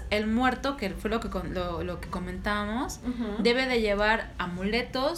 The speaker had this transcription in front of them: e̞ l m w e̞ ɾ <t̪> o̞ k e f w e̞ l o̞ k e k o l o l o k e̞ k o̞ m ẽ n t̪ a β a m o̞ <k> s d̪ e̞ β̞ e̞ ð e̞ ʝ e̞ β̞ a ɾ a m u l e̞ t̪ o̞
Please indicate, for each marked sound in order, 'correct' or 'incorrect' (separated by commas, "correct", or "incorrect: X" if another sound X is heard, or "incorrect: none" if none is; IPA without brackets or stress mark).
correct, incorrect: none